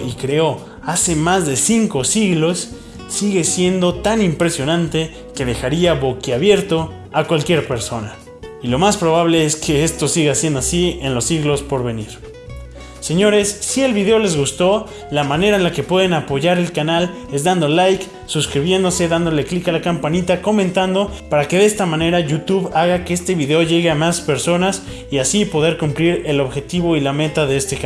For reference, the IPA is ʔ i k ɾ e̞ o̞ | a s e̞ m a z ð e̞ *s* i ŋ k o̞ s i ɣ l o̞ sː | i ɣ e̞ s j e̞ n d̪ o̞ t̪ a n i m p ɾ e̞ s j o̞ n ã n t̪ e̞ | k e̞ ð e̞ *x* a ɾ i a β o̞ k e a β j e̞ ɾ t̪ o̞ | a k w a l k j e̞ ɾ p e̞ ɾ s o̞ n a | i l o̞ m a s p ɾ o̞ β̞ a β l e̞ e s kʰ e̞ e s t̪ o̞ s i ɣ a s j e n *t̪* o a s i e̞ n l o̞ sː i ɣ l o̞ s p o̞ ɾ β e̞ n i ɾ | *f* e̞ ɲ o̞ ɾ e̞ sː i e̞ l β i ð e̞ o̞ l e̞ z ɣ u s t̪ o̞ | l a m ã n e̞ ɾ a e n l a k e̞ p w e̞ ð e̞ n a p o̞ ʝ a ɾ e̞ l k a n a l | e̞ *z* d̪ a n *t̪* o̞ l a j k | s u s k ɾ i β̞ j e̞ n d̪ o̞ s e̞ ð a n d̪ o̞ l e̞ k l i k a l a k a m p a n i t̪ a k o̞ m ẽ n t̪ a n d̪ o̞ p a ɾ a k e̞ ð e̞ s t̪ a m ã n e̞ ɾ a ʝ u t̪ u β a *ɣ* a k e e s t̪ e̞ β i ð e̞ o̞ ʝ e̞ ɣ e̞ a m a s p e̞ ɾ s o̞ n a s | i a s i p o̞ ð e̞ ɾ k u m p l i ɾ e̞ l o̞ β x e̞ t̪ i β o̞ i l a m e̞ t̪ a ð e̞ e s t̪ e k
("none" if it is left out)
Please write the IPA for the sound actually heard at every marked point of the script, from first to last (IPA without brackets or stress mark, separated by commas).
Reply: s, x, d̪, s, z, d̪, ɣ